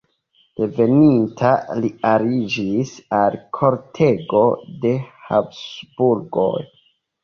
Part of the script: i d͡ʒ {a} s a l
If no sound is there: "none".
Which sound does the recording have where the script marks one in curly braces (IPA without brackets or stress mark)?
i